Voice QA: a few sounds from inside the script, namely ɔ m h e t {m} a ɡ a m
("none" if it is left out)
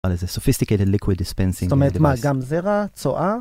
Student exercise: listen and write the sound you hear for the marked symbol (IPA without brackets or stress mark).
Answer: m